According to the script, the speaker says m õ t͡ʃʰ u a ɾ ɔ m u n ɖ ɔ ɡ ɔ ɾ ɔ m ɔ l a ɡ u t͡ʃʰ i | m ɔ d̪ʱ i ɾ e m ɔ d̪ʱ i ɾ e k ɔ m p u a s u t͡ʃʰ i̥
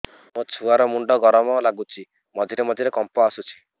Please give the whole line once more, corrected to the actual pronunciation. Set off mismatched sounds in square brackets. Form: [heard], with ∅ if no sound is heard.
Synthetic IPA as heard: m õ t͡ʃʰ u a ɾ ɔ m u [ɳ] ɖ ɔ ɡ ɔ ɾ ɔ m ɔ l a ɡ u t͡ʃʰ i | m ɔ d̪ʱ i ɾ e m ɔ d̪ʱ i ɾ e k ɔ m p [ɔ] a s u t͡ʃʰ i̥

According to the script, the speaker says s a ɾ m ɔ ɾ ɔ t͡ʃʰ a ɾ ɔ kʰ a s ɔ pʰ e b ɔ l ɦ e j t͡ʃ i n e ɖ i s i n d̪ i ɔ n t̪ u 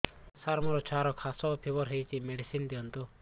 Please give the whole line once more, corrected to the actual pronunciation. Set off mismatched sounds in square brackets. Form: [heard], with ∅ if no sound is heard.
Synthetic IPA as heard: s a ɾ m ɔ ɾ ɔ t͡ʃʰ a ɾ ɔ kʰ a s ɔ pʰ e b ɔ [ɾ] ɦ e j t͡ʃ i [m] e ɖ i s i n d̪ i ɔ n t̪ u

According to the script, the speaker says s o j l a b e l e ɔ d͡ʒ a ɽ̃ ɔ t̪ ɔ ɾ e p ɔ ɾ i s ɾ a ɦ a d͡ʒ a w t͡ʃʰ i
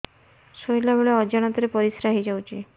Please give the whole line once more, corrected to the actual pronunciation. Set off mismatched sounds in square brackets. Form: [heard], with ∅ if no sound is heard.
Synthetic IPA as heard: s o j l a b e [ɭ] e ɔ d͡ʒ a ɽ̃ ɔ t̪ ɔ ɾ e p ɔ ɾ i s ɾ a ɦ [i] d͡ʒ a w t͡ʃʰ i

